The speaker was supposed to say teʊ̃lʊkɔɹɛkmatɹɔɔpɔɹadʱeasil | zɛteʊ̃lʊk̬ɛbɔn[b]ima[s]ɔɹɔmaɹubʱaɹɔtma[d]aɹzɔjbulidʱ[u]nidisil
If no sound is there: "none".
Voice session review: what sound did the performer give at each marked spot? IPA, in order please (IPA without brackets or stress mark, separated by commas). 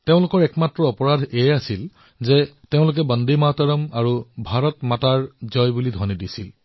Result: d, t, t, ɔ